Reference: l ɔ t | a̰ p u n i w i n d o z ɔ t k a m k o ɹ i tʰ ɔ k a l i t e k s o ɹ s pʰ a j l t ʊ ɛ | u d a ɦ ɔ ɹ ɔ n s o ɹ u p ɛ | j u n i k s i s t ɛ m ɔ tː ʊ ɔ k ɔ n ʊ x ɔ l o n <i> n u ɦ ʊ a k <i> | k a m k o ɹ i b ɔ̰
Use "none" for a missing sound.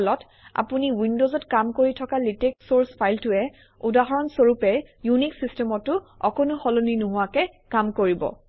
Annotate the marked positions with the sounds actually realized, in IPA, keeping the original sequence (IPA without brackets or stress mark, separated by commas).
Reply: i, ɛ